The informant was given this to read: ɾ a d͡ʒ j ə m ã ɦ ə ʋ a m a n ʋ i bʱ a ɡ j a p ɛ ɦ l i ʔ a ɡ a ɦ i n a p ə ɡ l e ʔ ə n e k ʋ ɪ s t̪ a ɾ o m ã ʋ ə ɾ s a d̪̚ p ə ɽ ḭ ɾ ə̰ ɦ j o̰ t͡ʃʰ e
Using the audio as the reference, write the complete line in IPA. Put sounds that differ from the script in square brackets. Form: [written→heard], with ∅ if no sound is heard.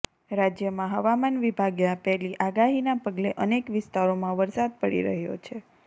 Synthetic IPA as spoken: ɾ a d͡ʒ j ə m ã ɦ ə ʋ a m a n ʋ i bʱ a ɡ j a p ɛ ɦ l i ʔ a ɡ a ɦ i n a p ə ɡ l e ʔ ə n e k ʋ ɪ s t̪ a ɾ o m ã ʋ ə ɾ s a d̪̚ p ə ɽ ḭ ɾ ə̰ ɦ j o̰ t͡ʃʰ e